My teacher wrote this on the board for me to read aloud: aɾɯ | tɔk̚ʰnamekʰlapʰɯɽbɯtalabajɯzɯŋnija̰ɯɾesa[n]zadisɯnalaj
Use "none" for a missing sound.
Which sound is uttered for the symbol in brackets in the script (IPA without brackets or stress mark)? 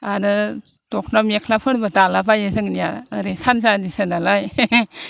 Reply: n